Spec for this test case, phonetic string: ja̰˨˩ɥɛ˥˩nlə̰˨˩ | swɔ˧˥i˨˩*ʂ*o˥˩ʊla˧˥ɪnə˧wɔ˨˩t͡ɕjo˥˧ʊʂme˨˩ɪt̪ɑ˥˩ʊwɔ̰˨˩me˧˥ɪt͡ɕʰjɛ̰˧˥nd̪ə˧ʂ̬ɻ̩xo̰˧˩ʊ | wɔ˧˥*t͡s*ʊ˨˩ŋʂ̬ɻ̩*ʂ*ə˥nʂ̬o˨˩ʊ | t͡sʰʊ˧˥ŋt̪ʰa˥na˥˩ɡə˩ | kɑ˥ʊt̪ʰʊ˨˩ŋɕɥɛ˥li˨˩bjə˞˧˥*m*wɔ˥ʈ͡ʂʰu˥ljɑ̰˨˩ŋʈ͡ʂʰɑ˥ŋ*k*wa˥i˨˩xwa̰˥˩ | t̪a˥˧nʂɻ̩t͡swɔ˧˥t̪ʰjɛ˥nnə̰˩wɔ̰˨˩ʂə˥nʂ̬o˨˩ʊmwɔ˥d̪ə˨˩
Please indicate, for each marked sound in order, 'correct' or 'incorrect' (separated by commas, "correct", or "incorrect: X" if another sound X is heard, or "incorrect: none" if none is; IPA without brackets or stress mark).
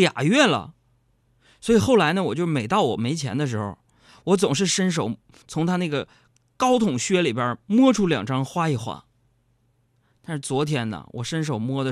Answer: incorrect: x, correct, correct, correct, incorrect: x